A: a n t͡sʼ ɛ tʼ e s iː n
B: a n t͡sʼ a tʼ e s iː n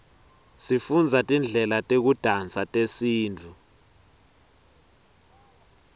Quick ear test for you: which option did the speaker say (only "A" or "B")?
B